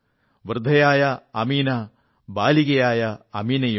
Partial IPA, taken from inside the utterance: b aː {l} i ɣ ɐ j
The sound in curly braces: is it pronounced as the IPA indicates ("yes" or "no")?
yes